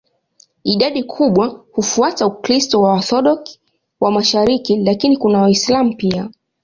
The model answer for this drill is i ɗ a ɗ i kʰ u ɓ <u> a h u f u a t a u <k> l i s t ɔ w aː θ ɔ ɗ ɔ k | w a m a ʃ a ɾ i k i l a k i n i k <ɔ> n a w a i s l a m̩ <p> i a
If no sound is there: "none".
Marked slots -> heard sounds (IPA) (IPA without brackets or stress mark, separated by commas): w, k, u, p